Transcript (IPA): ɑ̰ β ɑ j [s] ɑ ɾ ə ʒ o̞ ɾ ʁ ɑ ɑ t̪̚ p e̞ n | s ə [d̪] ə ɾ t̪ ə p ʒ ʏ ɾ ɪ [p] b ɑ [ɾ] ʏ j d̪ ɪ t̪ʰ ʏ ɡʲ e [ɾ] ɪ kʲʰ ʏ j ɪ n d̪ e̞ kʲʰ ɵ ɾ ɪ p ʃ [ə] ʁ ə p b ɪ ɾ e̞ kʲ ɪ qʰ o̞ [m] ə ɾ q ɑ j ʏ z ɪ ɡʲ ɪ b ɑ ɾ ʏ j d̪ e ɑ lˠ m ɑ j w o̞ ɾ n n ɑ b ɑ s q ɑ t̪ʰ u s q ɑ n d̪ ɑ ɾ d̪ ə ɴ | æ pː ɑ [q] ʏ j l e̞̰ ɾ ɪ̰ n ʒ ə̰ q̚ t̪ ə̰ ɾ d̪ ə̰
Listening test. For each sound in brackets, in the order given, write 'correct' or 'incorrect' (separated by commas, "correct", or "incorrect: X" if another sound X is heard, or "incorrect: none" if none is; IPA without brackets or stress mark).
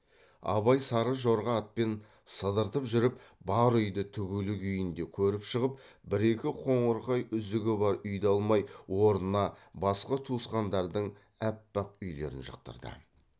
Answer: correct, correct, correct, correct, incorrect: l, correct, incorrect: ɴ, correct